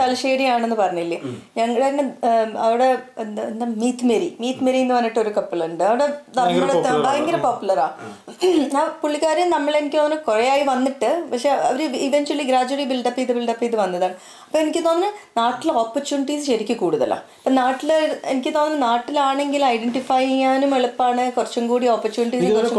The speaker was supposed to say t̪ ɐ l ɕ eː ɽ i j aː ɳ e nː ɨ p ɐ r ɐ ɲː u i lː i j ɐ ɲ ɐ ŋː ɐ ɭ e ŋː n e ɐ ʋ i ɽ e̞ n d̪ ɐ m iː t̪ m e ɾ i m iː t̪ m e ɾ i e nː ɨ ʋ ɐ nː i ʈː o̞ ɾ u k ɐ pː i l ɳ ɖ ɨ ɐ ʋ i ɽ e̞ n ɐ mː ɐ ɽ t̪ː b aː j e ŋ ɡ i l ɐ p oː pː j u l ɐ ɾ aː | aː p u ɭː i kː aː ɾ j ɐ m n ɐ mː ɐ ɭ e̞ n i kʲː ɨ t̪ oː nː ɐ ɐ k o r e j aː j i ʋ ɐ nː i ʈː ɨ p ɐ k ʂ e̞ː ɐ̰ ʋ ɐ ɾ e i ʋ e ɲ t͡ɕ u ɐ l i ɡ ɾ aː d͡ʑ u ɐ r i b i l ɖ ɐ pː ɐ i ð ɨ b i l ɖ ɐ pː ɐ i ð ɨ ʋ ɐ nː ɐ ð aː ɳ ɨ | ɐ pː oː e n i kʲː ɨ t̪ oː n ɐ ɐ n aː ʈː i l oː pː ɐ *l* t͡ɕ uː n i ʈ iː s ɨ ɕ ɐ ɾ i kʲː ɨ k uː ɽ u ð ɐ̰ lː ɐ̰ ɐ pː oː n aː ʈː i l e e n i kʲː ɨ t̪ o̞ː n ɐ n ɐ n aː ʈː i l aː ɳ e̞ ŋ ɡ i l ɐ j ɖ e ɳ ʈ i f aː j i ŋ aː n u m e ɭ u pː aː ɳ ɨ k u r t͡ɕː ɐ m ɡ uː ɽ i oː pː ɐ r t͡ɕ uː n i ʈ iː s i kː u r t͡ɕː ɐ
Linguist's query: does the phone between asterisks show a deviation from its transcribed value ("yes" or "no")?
yes